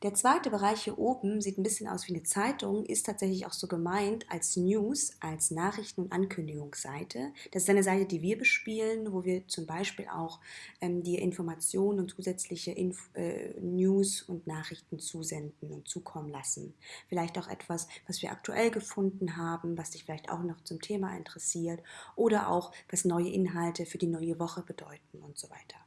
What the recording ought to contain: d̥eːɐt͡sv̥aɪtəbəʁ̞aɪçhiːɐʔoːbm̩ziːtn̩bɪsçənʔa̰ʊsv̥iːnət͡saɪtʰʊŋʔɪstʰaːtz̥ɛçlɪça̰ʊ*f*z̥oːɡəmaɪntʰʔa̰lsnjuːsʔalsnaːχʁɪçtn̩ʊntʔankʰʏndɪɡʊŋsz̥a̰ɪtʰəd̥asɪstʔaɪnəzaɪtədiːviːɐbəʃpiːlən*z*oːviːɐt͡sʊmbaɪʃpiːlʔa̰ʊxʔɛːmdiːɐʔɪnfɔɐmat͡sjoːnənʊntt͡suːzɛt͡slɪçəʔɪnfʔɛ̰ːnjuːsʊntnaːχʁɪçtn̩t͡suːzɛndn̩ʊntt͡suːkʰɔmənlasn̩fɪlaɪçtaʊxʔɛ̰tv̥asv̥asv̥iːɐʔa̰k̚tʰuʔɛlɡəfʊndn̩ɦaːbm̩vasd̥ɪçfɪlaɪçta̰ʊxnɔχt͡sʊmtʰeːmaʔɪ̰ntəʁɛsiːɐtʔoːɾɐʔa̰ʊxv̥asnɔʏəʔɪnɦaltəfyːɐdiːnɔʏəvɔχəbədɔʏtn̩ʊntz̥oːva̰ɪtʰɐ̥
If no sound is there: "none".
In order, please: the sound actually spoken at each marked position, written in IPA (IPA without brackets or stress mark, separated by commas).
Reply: x, v